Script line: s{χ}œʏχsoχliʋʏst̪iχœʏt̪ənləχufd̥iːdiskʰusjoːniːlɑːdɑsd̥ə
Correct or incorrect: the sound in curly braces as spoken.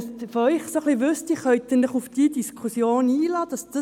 incorrect: f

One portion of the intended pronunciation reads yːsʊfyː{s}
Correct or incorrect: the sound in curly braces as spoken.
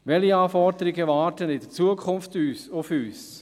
correct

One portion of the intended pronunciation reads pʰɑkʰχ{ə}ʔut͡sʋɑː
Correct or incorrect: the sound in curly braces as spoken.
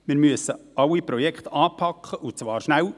correct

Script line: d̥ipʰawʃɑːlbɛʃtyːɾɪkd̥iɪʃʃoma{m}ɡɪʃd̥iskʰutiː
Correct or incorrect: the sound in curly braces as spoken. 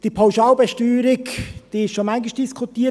incorrect: ŋ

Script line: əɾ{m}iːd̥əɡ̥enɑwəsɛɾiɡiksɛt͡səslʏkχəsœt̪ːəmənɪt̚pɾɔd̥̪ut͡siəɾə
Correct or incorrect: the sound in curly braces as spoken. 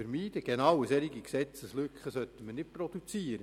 correct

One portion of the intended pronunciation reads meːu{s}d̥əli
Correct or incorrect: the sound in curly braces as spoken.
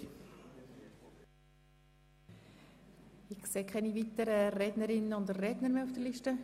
incorrect: f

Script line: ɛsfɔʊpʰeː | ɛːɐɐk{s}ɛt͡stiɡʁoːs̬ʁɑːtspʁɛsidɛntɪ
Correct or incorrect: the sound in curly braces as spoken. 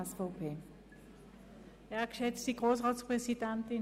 incorrect: ʃ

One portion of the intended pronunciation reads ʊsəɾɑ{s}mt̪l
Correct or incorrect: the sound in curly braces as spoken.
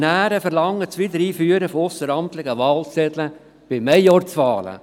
incorrect: none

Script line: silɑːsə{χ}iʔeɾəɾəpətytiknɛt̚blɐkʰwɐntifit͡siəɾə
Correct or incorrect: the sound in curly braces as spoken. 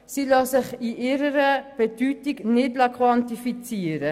correct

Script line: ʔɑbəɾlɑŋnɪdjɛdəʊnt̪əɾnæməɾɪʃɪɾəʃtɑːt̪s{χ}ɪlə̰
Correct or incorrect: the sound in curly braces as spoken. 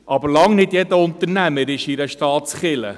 correct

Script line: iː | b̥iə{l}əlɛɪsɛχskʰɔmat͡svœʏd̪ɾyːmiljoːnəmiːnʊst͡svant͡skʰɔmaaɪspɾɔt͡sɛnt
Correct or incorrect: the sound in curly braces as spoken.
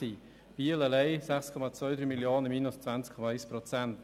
correct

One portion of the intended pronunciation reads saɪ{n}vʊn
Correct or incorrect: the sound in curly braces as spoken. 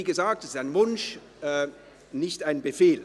correct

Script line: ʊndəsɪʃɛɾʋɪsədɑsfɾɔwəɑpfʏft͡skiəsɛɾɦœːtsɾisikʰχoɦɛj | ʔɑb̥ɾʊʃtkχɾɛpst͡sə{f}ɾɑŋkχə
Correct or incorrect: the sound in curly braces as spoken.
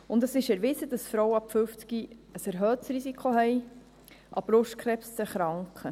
incorrect: χ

